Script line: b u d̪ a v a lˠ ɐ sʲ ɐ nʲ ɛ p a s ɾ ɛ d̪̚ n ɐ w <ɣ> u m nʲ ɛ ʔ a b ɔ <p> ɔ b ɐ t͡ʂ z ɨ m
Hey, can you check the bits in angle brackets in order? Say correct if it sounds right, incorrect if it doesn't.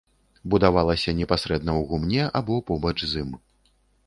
correct, correct

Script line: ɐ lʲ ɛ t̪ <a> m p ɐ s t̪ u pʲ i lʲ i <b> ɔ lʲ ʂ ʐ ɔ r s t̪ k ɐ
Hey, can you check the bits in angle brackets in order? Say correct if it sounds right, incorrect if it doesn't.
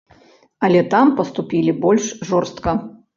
correct, correct

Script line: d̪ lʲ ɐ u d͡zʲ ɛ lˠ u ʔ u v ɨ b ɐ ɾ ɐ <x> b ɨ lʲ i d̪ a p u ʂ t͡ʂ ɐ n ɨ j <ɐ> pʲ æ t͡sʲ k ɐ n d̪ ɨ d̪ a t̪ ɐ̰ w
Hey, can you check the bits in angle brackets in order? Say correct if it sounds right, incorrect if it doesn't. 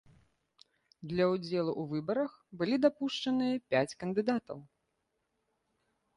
correct, correct

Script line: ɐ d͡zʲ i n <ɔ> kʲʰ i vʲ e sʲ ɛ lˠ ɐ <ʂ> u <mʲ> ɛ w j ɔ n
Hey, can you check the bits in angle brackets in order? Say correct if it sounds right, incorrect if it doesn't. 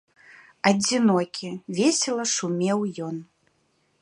correct, correct, correct

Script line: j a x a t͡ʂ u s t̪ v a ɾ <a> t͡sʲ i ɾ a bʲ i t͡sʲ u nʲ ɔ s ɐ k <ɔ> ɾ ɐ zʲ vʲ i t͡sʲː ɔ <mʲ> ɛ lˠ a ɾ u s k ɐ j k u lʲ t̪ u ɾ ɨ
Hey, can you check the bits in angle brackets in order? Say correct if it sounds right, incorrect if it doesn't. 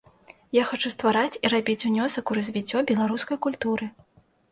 correct, incorrect, incorrect

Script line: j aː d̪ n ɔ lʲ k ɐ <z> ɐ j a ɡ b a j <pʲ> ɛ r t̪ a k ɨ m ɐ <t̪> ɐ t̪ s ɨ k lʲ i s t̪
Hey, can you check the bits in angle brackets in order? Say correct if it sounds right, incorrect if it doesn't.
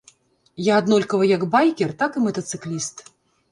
incorrect, incorrect, correct

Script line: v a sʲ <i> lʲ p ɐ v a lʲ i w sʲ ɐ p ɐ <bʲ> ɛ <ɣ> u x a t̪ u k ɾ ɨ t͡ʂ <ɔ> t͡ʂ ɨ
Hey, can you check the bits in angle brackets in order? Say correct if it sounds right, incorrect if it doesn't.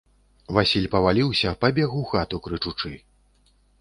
correct, correct, correct, incorrect

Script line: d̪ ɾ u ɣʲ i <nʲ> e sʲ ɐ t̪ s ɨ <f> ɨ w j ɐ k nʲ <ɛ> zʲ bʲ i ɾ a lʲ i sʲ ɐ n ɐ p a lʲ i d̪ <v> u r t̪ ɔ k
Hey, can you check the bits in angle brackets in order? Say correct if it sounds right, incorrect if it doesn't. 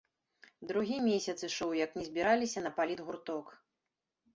incorrect, incorrect, correct, incorrect

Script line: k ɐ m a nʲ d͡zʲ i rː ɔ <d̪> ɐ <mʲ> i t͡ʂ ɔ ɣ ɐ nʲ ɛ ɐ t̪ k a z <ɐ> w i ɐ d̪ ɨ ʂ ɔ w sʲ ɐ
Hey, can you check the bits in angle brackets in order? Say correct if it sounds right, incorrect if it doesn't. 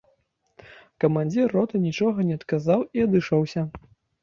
incorrect, incorrect, incorrect

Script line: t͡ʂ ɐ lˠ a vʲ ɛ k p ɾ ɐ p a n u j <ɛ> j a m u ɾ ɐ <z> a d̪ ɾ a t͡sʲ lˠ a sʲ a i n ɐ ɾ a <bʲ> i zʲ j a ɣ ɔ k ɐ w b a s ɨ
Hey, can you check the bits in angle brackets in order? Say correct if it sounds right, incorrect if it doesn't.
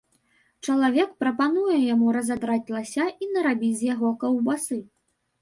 correct, correct, correct

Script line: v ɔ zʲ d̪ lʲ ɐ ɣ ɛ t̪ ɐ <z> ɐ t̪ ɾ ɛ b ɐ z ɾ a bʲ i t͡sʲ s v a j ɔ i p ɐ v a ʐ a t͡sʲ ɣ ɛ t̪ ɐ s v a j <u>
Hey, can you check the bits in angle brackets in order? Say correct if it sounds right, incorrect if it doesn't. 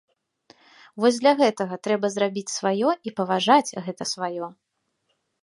incorrect, incorrect

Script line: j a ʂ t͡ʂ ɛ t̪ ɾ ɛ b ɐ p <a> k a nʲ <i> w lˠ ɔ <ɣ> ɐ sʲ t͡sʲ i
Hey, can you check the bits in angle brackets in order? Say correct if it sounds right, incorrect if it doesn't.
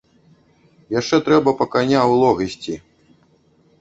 incorrect, incorrect, correct

